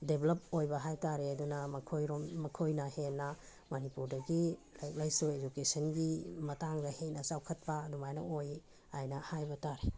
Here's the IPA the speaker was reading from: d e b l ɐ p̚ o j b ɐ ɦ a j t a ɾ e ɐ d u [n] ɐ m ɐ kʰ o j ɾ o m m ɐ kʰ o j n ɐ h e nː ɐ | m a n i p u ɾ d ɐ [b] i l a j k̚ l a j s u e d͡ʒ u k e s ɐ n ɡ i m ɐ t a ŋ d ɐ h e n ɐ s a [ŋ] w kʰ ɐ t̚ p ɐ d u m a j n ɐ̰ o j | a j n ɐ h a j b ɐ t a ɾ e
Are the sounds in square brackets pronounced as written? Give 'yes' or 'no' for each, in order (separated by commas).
yes, no, no